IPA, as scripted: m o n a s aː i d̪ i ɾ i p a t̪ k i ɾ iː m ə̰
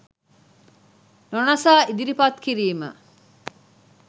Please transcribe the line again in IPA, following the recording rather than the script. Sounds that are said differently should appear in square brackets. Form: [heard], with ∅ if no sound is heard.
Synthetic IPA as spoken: [n] o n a s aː i d̪ i ɾ i p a t̪ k i ɾ iː m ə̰

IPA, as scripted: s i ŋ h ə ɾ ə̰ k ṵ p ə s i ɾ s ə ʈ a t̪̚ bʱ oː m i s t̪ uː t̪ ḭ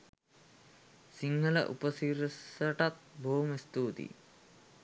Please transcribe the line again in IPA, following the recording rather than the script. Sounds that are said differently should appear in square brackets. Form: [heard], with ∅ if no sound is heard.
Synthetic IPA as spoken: s i ŋ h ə [l] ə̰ [ʔ] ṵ p ə s i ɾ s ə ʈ a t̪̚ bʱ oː m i s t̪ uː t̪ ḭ

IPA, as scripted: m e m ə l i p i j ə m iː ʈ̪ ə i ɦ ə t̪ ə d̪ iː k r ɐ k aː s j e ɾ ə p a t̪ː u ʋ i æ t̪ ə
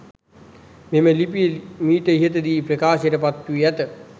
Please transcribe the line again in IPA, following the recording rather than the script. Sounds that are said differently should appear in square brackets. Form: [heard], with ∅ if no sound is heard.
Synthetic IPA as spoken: m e m ə l i p i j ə m iː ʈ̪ ə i ɦ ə t̪ ə d̪ iː [p] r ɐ k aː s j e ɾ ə p a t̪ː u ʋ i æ t̪ ə

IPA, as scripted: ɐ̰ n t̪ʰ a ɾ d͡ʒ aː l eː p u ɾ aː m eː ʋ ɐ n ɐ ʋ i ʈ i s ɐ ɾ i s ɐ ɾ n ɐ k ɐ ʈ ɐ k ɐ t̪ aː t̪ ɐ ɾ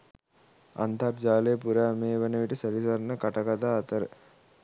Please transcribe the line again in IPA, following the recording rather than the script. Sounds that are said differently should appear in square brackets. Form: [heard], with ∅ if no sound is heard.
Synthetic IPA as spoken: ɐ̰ n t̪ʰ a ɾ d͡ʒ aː l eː p u ɾ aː m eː ʋ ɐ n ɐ ʋ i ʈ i s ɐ ɾ i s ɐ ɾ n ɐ k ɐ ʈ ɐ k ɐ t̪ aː t̪ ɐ ɾ

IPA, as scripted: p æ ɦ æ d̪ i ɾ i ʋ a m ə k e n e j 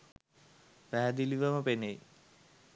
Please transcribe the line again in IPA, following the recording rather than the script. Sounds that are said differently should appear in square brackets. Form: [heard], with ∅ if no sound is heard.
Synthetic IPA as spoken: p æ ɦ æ d̪ i [l] i ʋ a m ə [p] e n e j

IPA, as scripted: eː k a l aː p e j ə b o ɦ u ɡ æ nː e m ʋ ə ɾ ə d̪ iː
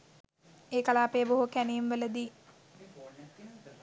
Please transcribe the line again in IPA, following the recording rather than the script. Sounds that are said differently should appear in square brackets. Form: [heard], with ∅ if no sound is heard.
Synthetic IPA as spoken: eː k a l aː p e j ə b o ɦ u [k] æ [n] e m ʋ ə [l] ə d̪ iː

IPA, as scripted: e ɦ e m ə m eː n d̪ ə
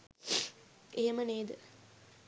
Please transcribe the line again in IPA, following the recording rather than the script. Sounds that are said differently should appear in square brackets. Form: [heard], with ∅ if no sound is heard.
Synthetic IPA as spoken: e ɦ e m ə [n] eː [∅] d̪ ə

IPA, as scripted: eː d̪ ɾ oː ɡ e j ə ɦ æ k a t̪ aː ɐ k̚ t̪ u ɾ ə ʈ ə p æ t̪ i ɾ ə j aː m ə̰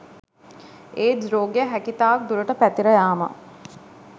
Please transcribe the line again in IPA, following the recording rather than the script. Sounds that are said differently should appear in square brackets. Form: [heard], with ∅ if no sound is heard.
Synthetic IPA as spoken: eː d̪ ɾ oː ɡ e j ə ɦ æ k [i] t̪ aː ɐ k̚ [d̪] u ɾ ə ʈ ə p æ t̪ i ɾ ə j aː m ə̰

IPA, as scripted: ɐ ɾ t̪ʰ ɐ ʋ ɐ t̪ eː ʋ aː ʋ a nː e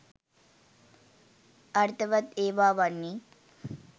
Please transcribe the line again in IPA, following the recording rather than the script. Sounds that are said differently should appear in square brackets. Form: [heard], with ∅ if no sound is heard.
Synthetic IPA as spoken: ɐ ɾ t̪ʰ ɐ ʋ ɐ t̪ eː ʋ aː ʋ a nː [i]

